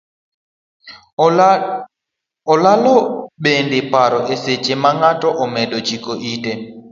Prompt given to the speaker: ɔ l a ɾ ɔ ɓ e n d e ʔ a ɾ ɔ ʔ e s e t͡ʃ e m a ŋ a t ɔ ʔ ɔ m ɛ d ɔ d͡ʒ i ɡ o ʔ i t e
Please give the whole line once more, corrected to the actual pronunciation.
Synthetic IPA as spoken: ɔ l a l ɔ ɓ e n d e p a ɾ ɔ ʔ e s e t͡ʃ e m a ŋ a t ɔ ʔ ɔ m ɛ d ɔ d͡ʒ i k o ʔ i t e